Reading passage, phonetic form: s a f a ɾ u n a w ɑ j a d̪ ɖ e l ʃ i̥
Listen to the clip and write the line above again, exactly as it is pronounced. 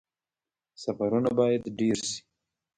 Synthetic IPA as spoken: s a f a ɾ u n a b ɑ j a d̪ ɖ e ɾ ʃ i̥